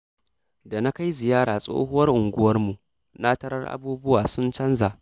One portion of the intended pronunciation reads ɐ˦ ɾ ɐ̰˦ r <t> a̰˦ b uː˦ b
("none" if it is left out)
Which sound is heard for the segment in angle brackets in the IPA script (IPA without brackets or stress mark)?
ʔ